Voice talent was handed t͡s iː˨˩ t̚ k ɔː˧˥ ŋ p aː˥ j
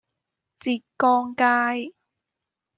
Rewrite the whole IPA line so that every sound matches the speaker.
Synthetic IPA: t͡s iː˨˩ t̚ k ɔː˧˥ ŋ k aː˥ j